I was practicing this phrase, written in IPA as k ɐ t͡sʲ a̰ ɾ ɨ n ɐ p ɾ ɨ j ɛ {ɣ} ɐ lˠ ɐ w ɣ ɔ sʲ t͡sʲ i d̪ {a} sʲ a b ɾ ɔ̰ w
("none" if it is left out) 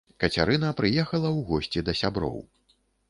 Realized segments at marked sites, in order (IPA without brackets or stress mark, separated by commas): x, ɐ